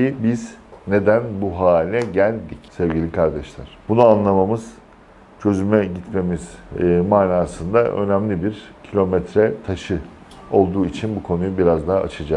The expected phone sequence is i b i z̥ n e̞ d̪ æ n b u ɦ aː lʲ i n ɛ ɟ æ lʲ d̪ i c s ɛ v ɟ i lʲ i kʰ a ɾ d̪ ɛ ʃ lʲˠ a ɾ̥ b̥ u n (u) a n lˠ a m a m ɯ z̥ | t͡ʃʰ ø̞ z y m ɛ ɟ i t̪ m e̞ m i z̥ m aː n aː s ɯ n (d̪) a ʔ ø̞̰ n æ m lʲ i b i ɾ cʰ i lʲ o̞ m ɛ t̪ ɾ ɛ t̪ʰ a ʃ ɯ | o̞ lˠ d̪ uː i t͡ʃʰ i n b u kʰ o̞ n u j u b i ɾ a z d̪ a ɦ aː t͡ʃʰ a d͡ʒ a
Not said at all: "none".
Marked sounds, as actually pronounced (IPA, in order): u, d̪

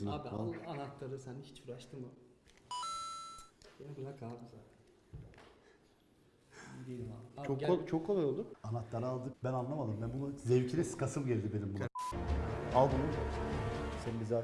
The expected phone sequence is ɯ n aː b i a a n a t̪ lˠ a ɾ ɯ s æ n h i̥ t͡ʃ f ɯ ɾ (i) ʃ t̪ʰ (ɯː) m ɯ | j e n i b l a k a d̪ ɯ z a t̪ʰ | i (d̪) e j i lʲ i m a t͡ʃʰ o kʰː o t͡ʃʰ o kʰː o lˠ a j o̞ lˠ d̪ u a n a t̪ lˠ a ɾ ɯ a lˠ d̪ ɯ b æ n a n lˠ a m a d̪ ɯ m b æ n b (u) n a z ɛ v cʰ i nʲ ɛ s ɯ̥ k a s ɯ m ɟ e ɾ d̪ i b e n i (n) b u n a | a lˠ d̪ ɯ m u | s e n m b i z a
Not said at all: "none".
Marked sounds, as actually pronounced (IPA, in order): a, ɯ, d̪, u, m

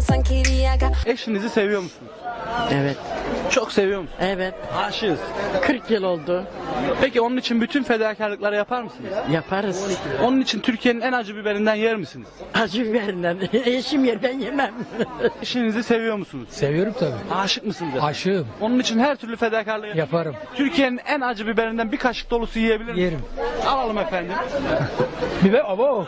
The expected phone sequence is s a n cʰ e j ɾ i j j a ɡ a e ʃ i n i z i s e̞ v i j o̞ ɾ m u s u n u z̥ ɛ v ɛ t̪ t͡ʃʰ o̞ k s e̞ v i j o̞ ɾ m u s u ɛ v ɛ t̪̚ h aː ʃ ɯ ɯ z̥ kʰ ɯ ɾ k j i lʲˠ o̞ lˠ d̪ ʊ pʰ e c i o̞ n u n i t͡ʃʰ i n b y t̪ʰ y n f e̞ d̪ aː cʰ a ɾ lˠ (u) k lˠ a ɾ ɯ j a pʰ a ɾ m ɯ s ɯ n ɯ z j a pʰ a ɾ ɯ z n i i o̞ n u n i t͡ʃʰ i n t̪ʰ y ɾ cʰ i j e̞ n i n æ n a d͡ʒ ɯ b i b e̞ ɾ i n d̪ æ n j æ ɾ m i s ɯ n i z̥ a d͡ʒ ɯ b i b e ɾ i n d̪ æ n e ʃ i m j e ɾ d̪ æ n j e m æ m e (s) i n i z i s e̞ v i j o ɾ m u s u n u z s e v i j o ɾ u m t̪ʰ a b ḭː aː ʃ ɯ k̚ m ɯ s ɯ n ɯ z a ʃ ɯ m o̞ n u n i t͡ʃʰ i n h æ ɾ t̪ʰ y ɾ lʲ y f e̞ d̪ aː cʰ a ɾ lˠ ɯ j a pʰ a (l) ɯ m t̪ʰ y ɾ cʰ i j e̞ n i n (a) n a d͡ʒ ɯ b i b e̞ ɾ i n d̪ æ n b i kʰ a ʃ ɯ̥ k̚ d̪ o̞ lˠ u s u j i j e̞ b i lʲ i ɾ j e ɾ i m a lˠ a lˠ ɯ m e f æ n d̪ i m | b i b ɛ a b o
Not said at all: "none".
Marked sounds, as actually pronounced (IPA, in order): ɯ, ʃ, ɾ, æ

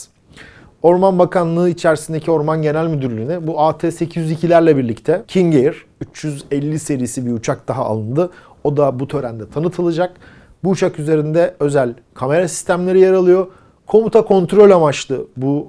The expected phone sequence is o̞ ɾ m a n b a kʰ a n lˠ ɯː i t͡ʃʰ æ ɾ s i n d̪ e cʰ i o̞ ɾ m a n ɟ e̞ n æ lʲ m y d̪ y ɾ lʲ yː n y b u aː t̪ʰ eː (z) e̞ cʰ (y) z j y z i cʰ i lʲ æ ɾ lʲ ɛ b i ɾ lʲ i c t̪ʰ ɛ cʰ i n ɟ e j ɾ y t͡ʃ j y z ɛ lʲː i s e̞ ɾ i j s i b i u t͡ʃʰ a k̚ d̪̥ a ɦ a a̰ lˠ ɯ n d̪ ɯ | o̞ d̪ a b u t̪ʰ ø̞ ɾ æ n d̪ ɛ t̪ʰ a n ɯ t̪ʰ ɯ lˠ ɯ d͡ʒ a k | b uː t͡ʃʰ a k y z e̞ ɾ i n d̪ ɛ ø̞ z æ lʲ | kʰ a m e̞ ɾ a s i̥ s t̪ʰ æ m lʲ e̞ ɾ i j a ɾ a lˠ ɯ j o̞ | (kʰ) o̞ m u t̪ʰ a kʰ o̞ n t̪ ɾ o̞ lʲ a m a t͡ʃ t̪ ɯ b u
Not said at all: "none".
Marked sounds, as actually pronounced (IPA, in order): s, i, kʰ

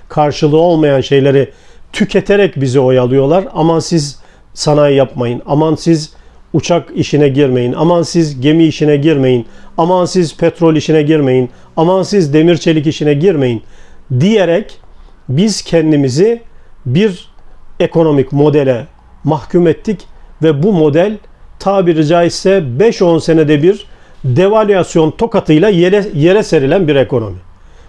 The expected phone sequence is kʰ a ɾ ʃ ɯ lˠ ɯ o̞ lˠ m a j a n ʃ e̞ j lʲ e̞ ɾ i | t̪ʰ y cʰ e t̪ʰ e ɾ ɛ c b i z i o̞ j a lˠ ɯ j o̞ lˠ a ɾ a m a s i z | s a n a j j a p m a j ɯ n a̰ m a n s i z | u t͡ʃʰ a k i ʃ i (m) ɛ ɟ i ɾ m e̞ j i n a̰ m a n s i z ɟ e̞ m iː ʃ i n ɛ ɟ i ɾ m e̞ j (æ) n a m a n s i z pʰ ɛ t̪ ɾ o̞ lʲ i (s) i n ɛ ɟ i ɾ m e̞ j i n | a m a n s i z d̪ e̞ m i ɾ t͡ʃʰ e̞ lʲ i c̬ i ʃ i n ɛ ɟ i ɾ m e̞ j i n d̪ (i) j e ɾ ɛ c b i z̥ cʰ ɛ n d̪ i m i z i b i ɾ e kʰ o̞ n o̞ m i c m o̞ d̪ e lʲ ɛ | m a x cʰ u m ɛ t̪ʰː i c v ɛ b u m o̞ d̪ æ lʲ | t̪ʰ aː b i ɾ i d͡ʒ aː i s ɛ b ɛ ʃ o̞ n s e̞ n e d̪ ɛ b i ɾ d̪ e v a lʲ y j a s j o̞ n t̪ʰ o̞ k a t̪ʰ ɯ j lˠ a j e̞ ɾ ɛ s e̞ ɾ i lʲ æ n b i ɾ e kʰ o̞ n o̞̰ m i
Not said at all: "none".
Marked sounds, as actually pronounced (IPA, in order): n, i, ʃ, i

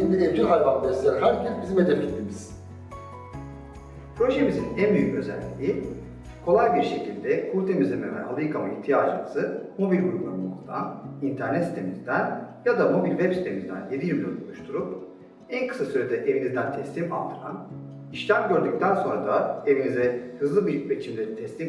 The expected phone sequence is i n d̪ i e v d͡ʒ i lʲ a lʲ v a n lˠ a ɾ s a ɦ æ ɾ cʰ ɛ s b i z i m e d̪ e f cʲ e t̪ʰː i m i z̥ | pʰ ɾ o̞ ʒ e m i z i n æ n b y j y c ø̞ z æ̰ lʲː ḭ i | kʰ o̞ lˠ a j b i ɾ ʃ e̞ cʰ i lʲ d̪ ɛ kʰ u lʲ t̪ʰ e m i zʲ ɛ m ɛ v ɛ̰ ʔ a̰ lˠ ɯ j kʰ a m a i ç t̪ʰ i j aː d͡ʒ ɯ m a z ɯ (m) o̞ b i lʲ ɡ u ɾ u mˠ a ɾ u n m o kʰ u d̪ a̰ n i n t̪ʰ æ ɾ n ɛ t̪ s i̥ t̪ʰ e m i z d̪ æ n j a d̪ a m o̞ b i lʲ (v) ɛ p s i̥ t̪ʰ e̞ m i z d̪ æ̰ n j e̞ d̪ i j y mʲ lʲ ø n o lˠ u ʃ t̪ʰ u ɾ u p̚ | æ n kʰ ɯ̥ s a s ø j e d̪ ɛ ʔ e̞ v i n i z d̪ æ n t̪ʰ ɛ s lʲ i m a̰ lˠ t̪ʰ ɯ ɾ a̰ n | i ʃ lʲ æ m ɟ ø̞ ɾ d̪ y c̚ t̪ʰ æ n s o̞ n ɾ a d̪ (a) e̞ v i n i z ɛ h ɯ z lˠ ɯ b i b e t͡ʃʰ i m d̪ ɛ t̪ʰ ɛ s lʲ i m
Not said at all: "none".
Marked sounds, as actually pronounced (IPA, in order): m, v, a

